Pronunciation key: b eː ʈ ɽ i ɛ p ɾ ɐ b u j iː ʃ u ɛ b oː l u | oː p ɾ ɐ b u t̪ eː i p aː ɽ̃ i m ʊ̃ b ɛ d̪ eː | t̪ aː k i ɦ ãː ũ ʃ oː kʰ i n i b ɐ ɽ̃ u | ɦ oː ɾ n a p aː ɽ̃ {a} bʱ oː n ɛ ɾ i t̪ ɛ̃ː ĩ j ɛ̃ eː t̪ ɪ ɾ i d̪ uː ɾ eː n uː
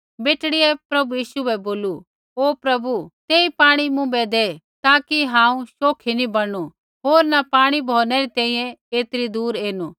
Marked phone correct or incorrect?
incorrect